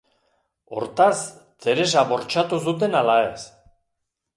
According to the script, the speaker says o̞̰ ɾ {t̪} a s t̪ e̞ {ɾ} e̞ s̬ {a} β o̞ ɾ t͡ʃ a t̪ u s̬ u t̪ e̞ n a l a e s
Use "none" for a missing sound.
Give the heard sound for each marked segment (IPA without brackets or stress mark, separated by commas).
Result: t̪, ɾ, a